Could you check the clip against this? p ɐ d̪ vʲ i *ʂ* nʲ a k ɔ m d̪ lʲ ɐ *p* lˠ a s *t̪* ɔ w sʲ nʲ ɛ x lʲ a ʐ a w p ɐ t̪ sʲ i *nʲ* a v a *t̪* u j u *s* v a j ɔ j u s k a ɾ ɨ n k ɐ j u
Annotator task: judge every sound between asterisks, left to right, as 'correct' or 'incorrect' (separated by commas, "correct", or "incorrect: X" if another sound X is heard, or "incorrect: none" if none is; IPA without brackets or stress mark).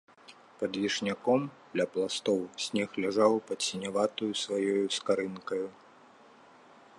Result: correct, correct, correct, correct, correct, correct